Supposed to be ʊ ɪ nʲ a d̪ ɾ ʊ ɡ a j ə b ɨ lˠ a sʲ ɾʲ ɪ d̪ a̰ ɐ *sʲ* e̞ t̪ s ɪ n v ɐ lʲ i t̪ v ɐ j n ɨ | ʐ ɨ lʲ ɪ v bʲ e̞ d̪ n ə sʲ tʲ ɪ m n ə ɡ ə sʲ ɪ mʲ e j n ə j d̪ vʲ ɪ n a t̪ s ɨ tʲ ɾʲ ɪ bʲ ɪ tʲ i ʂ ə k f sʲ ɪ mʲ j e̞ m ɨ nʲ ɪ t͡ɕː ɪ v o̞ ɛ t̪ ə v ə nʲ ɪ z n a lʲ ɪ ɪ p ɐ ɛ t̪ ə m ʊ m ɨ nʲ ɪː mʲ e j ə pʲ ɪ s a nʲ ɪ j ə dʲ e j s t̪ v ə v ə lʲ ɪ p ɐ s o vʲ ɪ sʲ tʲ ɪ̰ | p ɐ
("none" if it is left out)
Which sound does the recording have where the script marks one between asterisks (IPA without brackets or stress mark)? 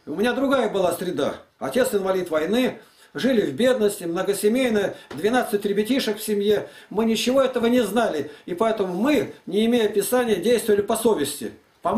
tʲ